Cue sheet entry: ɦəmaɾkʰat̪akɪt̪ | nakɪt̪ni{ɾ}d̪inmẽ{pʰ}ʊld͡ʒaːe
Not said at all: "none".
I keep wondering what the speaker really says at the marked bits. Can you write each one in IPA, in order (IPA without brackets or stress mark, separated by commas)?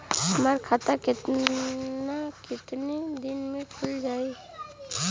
none, kʰ